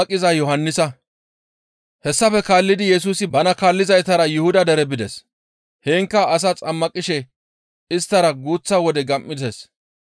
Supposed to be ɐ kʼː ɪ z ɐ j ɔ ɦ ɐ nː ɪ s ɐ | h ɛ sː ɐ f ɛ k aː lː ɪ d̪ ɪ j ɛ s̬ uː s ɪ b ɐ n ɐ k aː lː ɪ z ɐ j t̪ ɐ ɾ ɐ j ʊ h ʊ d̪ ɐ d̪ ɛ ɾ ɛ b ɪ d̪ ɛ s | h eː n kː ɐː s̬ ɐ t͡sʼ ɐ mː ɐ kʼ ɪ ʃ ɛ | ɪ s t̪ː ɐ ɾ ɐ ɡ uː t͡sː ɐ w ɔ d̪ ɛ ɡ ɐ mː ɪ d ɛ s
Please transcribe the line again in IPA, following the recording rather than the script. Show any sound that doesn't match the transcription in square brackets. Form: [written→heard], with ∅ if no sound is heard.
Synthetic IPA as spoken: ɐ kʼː ɪ z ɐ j ɔ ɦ ɐ nː ɪ s ɐ | h ɛ sː ɐ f ɛ k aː lː ɪ d̪ ɪ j ɛ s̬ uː s ɪ b ɐ n ɐ k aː lː ɪ z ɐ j t̪ ɐ ɾ ɐ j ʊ h ʊ d̪ ɐ d̪ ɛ ɾ ɛ b ɪ d̪ ɛ s | h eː [n→ŋ] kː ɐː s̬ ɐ t͡sʼ ɐ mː ɐ kʼ ɪ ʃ ɛ | ɪ s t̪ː ɐ ɾ ɐ ɡ uː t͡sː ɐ w ɔ d̪ ɛ ɡ ɐ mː ɪ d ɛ s